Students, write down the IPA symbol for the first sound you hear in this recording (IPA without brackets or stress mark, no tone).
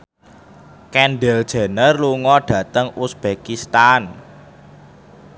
k